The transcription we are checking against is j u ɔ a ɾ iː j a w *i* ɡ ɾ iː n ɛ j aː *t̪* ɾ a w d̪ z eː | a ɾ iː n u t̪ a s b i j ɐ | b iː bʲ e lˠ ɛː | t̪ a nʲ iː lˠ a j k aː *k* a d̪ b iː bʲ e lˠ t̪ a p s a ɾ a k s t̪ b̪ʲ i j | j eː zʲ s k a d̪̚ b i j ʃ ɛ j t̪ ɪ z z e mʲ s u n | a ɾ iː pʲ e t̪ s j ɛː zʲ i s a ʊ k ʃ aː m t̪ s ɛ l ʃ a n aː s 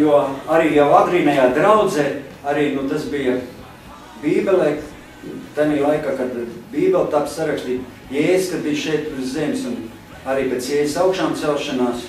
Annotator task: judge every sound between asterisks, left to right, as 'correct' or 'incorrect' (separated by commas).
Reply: incorrect, incorrect, correct